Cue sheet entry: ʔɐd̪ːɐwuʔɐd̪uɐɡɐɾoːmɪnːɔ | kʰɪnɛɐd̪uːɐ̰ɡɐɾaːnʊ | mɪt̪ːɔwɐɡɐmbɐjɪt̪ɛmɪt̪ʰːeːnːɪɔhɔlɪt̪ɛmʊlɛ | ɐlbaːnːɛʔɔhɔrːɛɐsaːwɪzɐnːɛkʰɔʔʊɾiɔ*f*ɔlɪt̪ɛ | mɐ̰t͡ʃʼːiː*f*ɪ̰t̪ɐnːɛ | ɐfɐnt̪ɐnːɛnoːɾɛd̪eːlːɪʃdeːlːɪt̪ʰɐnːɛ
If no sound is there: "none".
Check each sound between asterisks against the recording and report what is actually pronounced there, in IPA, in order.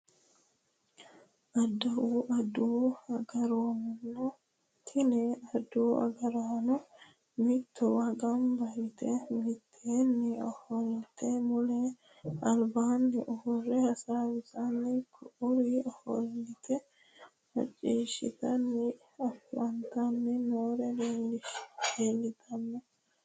h, ʃ

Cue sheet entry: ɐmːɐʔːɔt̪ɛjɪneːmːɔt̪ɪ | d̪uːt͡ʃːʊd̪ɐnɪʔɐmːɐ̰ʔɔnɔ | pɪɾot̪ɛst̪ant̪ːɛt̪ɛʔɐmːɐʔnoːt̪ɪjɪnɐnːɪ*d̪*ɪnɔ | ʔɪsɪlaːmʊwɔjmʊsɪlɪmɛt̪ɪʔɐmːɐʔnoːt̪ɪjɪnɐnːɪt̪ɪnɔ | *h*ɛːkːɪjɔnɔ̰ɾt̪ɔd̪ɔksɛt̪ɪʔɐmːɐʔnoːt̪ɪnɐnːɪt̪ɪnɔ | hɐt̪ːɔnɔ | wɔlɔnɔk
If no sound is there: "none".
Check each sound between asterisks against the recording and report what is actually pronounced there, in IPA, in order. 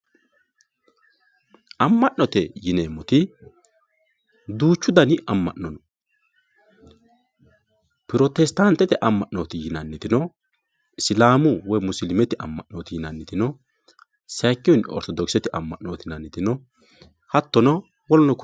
t̪, s

